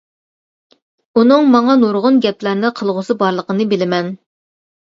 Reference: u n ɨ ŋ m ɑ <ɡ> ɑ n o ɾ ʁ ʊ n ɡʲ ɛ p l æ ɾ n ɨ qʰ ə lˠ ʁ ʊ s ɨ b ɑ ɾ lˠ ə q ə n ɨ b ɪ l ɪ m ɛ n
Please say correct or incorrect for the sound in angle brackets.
incorrect: ŋ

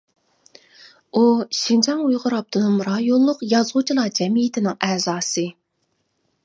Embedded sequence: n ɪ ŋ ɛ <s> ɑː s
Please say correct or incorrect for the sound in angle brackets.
incorrect: z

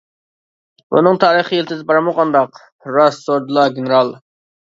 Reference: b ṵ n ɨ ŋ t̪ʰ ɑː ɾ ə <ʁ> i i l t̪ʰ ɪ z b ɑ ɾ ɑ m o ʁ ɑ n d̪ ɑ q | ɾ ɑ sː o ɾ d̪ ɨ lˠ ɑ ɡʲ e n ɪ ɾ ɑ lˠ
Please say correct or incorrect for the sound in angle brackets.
incorrect: χ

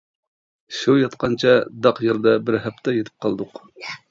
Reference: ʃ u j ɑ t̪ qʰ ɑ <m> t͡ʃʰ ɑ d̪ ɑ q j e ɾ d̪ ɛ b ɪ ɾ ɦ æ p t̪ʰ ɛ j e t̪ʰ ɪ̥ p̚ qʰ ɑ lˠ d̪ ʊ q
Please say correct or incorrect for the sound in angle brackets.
incorrect: n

